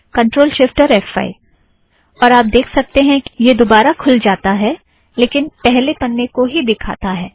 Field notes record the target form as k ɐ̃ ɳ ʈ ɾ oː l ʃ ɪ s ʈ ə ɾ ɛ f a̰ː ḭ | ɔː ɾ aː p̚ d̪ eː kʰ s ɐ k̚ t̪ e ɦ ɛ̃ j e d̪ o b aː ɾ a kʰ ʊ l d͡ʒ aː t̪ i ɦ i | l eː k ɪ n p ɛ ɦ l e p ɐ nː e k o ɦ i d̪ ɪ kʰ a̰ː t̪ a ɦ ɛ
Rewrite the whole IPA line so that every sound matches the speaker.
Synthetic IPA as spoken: k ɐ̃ ɳ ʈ ɾ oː l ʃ ɪ f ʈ ə ɾ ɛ f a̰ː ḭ | ɔː ɾ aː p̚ d̪ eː kʰ s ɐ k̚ t̪ e ɦ ɛ̃ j e d̪ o b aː ɾ a kʰ ʊ l d͡ʒ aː t̪ a ɦ ɛ | l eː k ɪ n p ɛ ɦ l e p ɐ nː e k o ɦ i d̪ ɪ kʰ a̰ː t̪ a ɦ ɛː